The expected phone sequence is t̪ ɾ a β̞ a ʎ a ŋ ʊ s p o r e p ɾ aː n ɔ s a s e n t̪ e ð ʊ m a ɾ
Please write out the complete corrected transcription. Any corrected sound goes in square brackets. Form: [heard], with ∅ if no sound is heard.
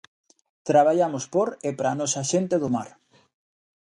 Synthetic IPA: t̪ ɾ a β̞ a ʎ a [m] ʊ s p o [ɾ] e p ɾ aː n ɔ s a [ʃ] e n t̪ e ð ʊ m a ɾ

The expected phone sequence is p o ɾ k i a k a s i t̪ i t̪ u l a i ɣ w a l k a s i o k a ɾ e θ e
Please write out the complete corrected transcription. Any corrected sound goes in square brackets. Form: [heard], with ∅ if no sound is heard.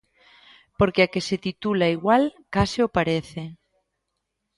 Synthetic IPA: p o ɾ k [e] a k [e] s [e] t̪ i t̪ u l a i ɣ w a l k a s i o [p] a ɾ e θ e

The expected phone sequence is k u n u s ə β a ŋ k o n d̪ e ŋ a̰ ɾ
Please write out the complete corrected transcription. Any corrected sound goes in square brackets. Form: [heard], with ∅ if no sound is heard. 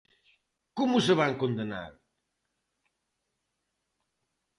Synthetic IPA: k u [m] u s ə β a ŋ k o n d̪ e [n] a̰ ɾ

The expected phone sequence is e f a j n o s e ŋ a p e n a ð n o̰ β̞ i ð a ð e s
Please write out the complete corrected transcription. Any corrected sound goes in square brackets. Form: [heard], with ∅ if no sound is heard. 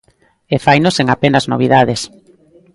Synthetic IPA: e f a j n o s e ŋ a p e n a [z] n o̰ β̞ i ð a ð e s

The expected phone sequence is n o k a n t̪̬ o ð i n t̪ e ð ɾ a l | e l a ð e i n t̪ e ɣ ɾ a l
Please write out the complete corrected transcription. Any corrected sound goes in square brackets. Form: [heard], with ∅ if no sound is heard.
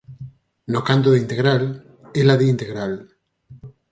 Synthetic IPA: n o k a n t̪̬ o ð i n t̪ e [ɣ] ɾ a l | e l a ð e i n t̪ e ɣ ɾ a l

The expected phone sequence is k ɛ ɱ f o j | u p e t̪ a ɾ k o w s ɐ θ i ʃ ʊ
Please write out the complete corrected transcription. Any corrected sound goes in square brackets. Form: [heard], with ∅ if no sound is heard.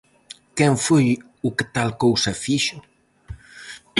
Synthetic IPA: k ɛ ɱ f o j | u [k] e t̪ a [l] k o w s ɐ [f] i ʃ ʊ

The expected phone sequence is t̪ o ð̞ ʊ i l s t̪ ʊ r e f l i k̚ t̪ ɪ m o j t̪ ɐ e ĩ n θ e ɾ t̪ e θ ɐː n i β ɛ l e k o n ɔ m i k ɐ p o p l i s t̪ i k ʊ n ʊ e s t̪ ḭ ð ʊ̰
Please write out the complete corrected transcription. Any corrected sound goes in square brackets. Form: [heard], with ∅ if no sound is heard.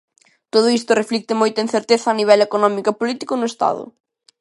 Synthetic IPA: t̪ o ð̞ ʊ i [∅] s t̪ ʊ r e f l i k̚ t̪ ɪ m o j t̪ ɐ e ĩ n θ e ɾ t̪ e θ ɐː n i β ɛ l e k o n ɔ m i k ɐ p o [∅] l i [∅] t̪ i k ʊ n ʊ e s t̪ [a̰] ð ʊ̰

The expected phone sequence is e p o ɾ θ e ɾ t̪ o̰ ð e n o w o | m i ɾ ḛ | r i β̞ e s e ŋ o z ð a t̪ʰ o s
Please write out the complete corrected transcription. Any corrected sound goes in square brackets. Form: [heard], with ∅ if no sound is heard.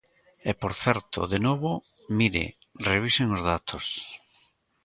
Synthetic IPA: e p o ɾ θ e ɾ t̪ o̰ ð e n o [β] o | m i ɾ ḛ | r [e] β̞ [i] s e ŋ o z ð a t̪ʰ o s

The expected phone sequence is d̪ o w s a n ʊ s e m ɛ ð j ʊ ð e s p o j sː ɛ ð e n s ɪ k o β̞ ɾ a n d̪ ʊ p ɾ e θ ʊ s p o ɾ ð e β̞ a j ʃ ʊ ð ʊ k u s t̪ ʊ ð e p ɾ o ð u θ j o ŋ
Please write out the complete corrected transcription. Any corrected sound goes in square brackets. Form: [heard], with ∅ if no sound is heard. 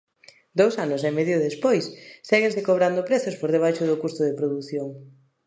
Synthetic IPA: d̪ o w s a n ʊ s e m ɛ ð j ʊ ð e s p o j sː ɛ [ɣ] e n s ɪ k o β̞ ɾ a n d̪ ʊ p ɾ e θ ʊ s p o ɾ ð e β̞ a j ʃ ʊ ð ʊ k u s t̪ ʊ ð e p ɾ o ð u θ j o ŋ

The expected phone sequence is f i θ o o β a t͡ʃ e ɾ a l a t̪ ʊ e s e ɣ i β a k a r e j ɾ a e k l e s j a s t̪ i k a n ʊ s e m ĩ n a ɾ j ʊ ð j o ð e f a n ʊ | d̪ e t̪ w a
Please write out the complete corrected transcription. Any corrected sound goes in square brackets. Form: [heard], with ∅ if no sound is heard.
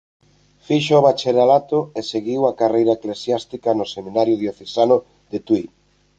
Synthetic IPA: f i [ʃ] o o β a t͡ʃ e ɾ a l a t̪ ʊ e s e ɣ i [w] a k a r e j ɾ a e k l e s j a s t̪ i k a n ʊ s e m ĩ n a ɾ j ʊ ð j o [θ] e [s] a n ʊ | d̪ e t̪ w [i]

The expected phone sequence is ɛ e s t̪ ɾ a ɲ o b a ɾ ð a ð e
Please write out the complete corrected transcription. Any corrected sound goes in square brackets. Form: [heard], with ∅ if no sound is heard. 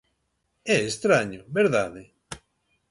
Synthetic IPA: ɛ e s t̪ ɾ a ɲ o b [e] ɾ ð a ð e

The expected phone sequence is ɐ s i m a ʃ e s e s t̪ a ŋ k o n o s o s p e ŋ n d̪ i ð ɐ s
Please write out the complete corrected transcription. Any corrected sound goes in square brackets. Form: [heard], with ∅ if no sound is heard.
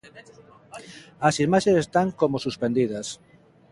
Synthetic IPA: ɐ s i m a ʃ e s e s t̪ a ŋ k o [m] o s [u] s p e [∅] n d̪ i ð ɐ s

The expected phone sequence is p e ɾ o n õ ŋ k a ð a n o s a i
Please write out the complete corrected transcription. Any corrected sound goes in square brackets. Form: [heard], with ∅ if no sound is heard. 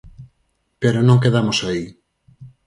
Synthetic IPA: p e ɾ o n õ ŋ k [e] ð a [m] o s a i

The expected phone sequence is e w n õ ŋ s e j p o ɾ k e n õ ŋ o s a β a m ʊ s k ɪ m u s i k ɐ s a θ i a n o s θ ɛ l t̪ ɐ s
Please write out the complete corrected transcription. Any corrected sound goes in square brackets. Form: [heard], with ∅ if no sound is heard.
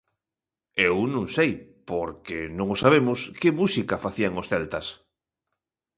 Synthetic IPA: e w n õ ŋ s e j p o ɾ k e n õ ŋ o s a β [e] m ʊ s k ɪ m u s i k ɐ [f] a θ i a [ŋ] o s θ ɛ l t̪ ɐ s

